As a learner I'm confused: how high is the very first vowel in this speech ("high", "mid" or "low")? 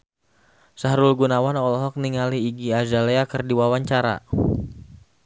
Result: low